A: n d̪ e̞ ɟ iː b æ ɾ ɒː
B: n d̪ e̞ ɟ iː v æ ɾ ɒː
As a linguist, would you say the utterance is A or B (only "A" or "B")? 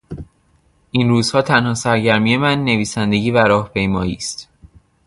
B